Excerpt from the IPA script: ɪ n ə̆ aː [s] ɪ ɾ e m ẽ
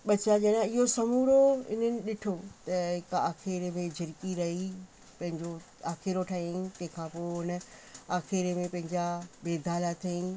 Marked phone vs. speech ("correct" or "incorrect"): incorrect